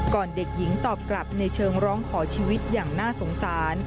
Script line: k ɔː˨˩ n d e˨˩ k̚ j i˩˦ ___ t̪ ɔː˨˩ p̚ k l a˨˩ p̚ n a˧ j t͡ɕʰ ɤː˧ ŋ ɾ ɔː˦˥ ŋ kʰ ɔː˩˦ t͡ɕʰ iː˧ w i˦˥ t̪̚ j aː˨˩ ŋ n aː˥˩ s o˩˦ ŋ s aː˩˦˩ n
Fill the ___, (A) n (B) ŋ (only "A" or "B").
B